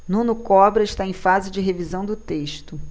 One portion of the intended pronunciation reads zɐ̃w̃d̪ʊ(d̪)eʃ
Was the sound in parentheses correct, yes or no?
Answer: no